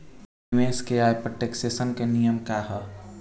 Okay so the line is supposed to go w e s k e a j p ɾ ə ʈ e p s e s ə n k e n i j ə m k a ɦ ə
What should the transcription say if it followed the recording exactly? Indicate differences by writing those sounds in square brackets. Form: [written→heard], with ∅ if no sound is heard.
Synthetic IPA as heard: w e s k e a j p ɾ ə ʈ e [p→k] s e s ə n k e n i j ə m k a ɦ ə